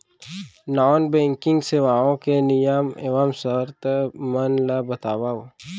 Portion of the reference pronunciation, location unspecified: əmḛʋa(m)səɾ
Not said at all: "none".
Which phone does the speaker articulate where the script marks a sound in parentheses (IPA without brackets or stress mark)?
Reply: m